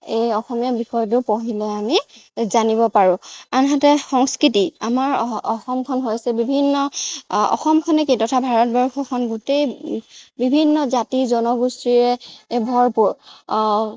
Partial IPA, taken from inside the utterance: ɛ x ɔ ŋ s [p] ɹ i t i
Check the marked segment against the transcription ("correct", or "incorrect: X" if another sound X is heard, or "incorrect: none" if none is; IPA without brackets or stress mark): incorrect: k